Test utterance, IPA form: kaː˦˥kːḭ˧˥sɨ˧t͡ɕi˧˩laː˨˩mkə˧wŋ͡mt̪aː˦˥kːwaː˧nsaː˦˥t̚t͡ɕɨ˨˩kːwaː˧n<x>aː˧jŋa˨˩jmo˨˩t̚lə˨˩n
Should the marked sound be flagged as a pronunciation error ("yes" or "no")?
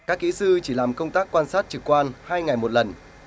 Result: yes